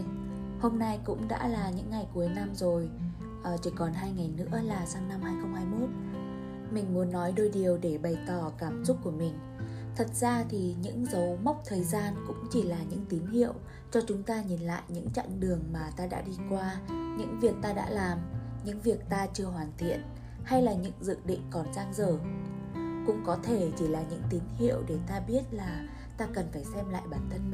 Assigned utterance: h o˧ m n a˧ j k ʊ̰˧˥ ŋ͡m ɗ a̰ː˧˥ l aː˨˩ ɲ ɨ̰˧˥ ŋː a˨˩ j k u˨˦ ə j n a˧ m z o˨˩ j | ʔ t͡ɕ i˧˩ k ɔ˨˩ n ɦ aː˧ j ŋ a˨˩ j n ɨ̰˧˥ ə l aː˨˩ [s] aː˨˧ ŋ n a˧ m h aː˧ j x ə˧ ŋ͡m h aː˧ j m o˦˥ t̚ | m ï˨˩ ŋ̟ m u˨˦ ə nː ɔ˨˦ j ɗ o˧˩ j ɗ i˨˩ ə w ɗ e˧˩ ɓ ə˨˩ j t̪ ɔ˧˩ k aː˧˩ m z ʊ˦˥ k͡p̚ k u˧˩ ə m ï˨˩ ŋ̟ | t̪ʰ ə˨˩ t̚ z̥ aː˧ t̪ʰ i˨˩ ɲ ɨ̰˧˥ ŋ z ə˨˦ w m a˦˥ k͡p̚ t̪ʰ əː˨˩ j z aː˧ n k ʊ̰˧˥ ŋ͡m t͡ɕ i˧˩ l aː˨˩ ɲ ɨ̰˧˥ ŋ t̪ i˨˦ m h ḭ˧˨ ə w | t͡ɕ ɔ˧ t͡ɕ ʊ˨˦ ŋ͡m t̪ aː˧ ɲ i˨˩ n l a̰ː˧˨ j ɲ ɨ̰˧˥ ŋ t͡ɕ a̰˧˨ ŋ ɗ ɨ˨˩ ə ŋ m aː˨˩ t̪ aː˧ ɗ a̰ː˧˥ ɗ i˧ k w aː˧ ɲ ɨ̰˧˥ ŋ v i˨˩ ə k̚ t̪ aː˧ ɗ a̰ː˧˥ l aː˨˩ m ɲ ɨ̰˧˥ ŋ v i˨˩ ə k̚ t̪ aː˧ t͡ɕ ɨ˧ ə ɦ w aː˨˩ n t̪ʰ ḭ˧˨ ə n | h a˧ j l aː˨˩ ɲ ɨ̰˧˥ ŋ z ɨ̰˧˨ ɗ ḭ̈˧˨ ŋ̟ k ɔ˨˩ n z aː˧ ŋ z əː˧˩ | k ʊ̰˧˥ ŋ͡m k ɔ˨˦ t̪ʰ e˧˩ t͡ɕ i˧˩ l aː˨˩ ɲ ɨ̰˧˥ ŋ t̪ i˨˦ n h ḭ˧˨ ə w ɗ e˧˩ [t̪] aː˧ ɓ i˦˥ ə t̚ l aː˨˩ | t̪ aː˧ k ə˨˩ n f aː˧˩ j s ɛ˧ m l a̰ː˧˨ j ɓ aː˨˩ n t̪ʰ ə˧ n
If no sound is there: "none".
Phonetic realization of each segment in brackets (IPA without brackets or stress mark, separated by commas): s, t̪